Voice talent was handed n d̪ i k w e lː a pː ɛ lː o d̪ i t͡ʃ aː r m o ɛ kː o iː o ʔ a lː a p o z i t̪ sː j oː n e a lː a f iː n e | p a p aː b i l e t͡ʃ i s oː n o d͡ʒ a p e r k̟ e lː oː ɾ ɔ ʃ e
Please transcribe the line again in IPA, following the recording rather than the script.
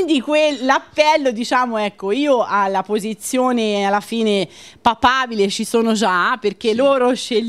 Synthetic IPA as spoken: n d̪ i k w e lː a pː ɛ lː o d̪ i t͡ʃ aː m o ɛ kː o iː o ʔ a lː a p o z i t̪ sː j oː n e a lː a f iː n e | p a p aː b i l e t͡ʃ i s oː n o d͡ʒ a p e r k̟ e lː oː ɾ o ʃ e